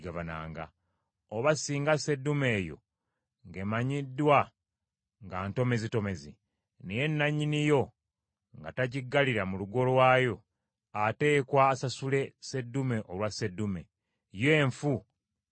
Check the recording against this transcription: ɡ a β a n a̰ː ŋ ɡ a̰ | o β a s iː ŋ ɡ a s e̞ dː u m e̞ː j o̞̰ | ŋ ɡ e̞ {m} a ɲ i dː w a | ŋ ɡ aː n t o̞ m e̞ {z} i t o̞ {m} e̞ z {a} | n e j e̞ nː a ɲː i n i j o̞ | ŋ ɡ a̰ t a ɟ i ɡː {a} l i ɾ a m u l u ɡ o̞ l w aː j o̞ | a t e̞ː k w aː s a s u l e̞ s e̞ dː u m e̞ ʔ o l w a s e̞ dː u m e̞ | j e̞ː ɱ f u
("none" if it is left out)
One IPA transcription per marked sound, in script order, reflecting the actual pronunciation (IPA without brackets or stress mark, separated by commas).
m, z, m, i, a